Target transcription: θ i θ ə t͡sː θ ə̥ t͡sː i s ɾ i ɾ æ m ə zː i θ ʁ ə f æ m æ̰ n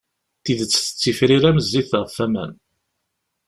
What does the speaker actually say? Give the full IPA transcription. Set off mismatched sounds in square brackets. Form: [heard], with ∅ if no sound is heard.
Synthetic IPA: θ i [ð] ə t͡sː θ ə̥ t͡sː i [f] ɾ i ɾ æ m ə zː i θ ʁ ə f æ m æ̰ n